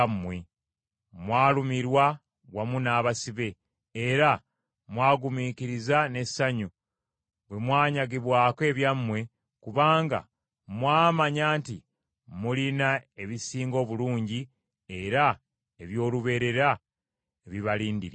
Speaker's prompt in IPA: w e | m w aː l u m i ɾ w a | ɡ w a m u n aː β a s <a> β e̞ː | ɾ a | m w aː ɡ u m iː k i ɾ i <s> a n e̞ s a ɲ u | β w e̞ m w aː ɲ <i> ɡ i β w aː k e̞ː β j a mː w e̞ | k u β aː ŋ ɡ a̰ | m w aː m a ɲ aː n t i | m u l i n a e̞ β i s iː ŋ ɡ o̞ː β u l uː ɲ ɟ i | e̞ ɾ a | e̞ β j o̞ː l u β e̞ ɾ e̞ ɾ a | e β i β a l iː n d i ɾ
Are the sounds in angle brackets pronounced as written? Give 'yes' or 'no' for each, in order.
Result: no, no, no

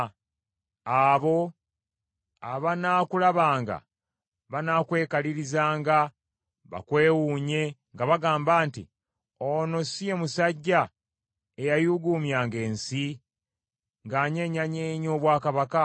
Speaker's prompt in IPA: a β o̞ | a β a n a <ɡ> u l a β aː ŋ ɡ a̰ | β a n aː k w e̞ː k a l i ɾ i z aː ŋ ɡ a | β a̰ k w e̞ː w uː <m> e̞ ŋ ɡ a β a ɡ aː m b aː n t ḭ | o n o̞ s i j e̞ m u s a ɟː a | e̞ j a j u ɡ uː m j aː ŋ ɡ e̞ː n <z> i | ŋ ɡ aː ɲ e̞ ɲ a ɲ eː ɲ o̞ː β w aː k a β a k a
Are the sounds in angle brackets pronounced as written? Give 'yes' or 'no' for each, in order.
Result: no, no, no

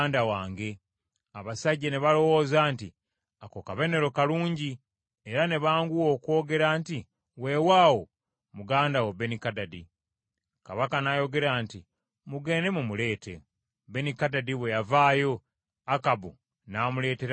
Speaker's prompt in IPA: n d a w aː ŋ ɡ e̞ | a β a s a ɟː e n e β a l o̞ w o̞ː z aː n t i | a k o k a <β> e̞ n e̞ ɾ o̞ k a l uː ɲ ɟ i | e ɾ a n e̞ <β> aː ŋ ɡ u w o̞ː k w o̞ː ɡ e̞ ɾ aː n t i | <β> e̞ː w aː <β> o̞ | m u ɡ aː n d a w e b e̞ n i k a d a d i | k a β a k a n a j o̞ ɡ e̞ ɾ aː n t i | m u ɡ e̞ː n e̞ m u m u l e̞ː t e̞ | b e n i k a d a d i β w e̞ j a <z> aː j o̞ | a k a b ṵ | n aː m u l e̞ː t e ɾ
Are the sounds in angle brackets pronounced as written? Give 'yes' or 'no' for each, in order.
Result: yes, yes, no, no, no

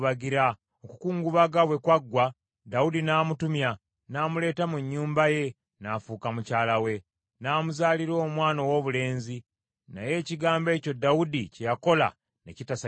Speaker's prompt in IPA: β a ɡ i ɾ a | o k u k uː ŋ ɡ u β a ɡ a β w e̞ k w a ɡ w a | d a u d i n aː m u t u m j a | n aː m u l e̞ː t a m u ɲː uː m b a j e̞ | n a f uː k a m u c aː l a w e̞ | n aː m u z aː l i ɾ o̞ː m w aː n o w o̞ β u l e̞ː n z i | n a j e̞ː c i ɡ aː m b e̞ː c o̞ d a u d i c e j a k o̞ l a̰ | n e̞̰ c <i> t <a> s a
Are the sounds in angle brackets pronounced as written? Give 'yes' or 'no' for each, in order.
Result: yes, yes

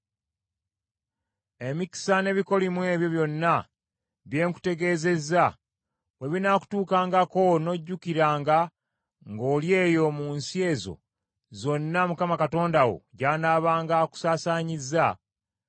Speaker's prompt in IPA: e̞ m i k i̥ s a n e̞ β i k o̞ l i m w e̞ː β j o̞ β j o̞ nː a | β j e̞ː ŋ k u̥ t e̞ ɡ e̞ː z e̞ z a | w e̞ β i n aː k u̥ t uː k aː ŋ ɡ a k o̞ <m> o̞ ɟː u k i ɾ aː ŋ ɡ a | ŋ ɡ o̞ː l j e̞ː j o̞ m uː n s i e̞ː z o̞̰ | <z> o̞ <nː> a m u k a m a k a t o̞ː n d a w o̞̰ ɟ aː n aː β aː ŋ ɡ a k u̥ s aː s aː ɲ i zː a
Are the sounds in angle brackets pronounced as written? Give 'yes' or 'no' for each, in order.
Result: no, yes, yes

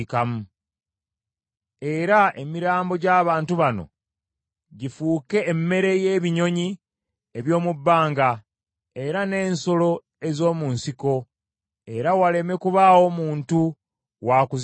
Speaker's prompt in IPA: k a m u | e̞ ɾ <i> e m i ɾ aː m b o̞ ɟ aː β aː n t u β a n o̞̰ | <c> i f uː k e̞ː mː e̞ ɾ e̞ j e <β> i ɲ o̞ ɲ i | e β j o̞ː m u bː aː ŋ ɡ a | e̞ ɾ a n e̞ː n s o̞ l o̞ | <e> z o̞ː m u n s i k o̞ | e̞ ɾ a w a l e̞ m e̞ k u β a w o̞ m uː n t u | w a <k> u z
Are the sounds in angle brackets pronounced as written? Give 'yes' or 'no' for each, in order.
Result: no, no, yes, yes, yes

